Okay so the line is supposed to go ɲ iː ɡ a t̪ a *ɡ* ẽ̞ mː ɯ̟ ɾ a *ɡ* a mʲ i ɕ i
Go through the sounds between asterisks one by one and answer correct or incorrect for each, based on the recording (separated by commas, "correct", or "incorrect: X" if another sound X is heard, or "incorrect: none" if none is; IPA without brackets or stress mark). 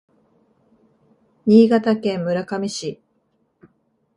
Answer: incorrect: k, incorrect: k